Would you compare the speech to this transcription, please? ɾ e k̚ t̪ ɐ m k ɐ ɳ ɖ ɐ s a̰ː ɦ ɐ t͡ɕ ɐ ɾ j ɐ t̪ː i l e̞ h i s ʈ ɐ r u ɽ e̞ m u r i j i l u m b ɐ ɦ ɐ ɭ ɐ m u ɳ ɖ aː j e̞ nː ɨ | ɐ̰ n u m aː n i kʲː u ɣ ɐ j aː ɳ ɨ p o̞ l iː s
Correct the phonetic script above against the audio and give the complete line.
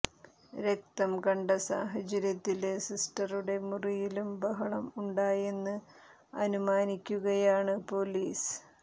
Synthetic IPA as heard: ɾ e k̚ t̪ ɐ m k ɐ ɳ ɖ ɐ s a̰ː ɦ ɐ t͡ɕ ɐ ɾ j ɐ t̪ː i l e̞ s i s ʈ ɐ r u ɽ e̞ m u r i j i l u m b ɐ ɦ ɐ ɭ ɐ m u ɳ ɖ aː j e̞ nː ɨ | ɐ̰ n u m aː n i kʲː u ɣ ɐ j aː ɳ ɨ p o̞ l iː s